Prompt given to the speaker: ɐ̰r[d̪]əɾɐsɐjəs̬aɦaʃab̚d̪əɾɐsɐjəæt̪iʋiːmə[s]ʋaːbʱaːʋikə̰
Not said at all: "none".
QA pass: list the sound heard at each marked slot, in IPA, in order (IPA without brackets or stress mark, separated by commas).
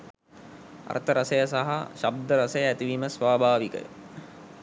t̪, s